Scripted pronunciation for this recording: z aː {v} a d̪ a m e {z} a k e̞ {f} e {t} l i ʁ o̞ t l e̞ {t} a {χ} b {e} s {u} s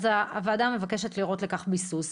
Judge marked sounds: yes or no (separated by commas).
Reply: yes, no, no, yes, no, yes, no, yes